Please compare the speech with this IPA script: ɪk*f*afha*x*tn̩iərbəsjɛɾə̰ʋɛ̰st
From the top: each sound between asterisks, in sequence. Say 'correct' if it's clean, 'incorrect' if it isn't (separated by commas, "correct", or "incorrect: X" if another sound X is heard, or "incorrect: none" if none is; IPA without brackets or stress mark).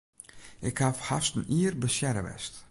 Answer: incorrect: h, incorrect: s